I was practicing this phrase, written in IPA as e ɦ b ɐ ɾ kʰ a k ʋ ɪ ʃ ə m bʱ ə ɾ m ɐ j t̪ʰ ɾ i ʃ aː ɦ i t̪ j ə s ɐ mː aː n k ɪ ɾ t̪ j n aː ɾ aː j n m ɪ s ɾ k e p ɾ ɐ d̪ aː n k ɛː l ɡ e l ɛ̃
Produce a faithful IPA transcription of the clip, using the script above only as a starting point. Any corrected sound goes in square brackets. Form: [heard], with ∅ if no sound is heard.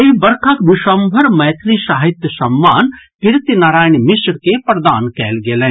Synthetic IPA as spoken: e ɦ b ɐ ɾ kʰ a k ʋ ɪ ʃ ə m bʱ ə ɾ m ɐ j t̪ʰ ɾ i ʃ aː ɦ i t̪ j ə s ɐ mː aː n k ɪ ɾ t̪ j n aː ɾ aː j n m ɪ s ɾ k e p ɾ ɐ d̪ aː n k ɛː l ɡ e l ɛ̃